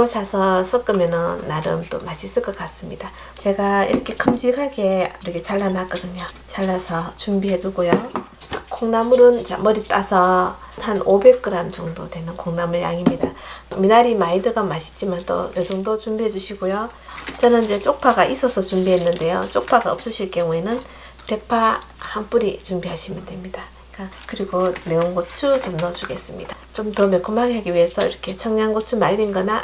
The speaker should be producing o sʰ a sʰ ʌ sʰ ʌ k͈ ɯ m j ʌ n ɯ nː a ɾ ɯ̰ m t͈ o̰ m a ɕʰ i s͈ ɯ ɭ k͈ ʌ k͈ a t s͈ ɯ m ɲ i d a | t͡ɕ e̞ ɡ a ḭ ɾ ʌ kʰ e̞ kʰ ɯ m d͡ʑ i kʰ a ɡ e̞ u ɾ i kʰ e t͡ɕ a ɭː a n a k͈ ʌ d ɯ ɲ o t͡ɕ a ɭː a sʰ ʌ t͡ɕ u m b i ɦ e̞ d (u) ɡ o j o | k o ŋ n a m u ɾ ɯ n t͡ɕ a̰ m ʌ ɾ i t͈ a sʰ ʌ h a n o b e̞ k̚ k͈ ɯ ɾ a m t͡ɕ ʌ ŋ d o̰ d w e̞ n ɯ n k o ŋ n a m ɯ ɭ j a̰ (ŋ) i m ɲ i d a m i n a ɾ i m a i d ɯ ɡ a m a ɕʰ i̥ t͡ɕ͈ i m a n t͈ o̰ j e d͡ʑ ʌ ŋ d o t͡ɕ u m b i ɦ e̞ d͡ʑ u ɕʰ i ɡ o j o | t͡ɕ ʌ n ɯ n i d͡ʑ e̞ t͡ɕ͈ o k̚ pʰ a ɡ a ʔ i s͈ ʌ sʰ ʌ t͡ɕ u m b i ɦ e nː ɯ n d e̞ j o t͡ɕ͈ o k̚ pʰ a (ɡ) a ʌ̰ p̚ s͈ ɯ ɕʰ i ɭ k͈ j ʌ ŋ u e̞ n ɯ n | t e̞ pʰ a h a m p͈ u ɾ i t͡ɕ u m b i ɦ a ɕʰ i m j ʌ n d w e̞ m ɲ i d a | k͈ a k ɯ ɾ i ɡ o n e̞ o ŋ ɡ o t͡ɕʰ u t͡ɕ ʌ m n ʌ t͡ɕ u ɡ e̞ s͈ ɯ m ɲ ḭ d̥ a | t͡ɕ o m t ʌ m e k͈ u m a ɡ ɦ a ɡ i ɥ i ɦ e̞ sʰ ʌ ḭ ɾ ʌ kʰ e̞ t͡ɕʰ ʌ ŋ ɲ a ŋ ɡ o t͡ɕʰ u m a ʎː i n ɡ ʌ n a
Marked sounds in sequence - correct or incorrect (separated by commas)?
correct, correct, correct